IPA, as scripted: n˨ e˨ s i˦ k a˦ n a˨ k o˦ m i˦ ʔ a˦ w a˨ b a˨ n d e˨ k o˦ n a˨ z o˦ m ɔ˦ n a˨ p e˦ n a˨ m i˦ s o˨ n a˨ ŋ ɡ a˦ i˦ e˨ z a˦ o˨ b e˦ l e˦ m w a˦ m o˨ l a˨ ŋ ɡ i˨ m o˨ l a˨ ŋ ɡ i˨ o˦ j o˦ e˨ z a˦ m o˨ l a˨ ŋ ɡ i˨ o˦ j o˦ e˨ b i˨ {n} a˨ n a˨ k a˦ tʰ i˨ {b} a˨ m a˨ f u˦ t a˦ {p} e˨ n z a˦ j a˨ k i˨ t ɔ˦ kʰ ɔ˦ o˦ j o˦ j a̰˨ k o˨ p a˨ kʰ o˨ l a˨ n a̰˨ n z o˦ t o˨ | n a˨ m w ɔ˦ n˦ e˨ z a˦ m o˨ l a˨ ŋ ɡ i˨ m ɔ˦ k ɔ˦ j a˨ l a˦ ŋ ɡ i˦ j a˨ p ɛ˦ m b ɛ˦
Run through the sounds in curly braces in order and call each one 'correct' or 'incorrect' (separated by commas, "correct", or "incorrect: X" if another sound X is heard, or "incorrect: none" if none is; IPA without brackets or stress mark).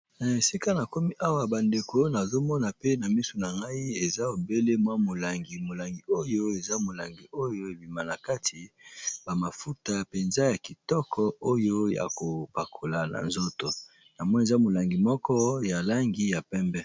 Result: incorrect: m, correct, correct